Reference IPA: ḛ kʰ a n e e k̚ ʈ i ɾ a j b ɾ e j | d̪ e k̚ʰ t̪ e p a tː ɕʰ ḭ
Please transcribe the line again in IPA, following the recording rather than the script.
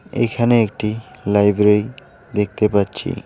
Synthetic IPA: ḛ kʰ a n e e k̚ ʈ i l a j b ɾ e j | d̪ e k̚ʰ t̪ e p a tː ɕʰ ḭ